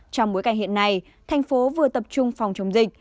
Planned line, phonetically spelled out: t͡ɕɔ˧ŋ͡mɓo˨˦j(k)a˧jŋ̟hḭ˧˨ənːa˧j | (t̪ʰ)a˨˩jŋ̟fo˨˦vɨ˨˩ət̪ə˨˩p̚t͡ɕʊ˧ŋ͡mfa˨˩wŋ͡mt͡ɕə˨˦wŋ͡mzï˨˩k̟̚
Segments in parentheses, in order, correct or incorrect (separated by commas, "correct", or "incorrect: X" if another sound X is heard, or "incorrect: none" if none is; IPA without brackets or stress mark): correct, correct